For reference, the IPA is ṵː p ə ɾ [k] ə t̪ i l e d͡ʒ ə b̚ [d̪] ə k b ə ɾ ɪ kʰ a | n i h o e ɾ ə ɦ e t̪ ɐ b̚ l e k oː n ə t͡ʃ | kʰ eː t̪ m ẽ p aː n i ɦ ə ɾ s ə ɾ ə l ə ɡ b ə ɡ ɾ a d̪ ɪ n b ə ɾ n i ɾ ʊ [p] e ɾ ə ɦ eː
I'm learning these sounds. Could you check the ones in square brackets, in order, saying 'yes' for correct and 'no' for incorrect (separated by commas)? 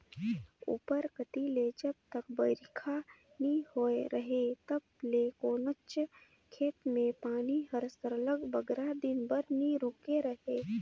yes, no, no